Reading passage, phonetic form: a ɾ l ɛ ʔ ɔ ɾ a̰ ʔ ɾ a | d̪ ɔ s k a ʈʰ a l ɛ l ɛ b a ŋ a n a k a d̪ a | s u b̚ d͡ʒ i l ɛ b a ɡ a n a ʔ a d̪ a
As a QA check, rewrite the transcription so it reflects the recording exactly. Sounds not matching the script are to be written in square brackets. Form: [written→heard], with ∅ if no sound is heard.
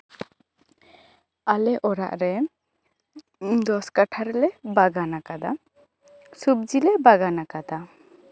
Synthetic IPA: a [ɾ→∅] l ɛ ʔ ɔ ɾ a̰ ʔ ɾ [a→ɛ] | d̪ ɔ s k a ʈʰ a [l→ɾ] ɛ l ɛ b a [ŋ→ɡ] a n a k a d̪ a | s u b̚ d͡ʒ i l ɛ b a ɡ a n a [ʔ→k] a d̪ a